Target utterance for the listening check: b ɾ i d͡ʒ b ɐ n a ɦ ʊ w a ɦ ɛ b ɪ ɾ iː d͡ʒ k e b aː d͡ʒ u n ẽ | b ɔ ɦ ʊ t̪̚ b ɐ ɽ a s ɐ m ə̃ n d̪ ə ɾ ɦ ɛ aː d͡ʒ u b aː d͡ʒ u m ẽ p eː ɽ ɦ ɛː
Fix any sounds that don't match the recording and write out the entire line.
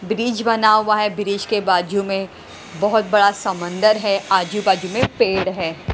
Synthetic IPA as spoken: b ɾ iː d͡ʒ b ɐ n a ɦ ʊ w a ɦ ɛ b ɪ ɾ iː d͡ʒ k e b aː d͡ʒ u m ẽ | b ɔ ɦ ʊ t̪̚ b ɐ ɽ a s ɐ m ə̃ n d̪ ə ɾ ɦ ɛ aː d͡ʒ u b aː d͡ʒ u m ẽ p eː ɽ ɦ ɛː